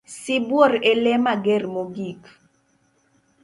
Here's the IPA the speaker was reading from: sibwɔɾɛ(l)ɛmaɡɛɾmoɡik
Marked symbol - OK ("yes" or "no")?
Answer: yes